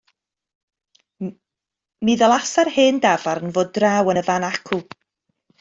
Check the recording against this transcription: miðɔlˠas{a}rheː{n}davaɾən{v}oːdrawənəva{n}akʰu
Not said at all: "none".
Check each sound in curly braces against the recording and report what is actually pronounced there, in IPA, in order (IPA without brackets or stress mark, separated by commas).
a, n, v, n